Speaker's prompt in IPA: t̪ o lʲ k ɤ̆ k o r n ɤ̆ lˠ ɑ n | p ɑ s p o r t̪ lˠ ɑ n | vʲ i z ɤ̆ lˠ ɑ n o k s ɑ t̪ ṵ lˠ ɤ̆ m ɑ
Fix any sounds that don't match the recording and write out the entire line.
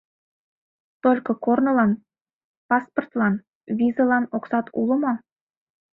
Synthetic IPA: t̪ o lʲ k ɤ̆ k o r n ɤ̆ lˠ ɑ n | p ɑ s p o r t̪ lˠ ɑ n | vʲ i z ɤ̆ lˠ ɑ n o k s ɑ t̪ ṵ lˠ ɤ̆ m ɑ